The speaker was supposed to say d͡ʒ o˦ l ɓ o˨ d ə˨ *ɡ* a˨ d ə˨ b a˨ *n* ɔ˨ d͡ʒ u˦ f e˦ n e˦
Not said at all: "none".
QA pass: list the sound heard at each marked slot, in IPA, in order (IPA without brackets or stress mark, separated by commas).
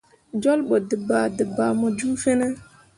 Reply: b, m